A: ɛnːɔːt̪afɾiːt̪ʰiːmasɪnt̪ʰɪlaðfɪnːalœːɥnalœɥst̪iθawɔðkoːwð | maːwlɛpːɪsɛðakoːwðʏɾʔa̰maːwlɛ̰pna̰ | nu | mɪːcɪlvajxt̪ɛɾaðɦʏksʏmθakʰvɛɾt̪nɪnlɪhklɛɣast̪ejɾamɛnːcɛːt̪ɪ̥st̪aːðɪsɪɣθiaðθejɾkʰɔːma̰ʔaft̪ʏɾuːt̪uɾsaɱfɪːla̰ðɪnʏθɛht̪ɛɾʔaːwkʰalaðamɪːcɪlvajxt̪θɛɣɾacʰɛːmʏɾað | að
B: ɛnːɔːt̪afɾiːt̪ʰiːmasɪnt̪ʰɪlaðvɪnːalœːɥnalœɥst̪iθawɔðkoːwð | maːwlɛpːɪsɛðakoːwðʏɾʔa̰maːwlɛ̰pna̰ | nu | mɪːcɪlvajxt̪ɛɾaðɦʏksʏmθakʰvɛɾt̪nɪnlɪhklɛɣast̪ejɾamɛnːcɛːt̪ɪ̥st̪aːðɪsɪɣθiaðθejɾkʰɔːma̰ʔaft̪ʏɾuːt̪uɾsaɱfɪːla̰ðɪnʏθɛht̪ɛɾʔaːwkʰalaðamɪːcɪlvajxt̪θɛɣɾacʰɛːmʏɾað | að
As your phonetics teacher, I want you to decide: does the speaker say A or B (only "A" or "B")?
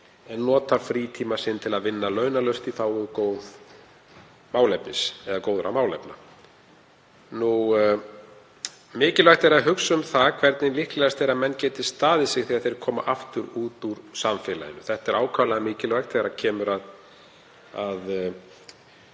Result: B